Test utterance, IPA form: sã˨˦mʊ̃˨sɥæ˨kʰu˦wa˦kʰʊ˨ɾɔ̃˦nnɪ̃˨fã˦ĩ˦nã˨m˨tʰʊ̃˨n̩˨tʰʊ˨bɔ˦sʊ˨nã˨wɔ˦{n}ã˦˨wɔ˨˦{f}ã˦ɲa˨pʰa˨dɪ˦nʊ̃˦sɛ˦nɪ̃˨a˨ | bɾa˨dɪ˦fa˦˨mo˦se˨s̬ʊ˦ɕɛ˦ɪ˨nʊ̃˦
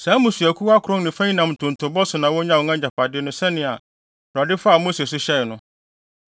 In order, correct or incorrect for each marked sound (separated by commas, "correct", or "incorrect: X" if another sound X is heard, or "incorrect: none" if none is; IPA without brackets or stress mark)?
incorrect: ɲ, incorrect: none